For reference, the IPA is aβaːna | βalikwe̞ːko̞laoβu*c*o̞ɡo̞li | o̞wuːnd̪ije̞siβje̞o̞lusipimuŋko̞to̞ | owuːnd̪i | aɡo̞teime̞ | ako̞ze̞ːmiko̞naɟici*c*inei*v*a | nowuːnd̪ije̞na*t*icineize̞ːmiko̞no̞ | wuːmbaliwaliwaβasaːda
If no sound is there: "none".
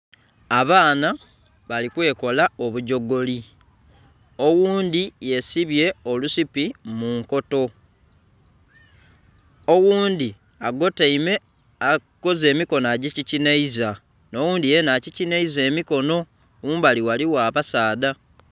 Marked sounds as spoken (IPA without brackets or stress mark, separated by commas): ɟ, c, z, c